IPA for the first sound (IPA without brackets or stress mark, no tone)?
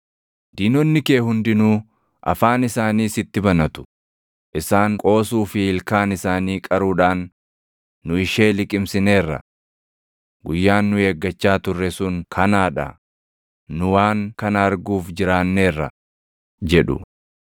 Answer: d̪